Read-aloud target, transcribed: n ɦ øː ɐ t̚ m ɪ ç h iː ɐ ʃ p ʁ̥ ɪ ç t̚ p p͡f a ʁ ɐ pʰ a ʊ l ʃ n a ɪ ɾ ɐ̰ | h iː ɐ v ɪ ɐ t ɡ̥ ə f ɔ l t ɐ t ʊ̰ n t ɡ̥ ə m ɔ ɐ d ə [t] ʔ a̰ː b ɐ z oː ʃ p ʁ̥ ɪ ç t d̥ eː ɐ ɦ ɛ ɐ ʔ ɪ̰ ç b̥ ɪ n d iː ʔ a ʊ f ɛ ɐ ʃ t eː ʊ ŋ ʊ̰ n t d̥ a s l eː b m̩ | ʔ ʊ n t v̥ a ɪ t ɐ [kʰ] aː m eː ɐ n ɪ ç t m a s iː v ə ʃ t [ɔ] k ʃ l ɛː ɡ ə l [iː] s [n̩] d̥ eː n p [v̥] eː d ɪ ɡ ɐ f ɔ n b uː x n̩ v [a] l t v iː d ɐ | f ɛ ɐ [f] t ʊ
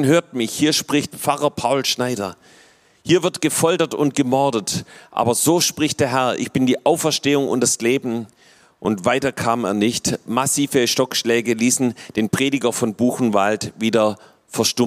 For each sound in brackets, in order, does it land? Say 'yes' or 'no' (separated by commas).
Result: yes, yes, yes, yes, yes, no, yes, no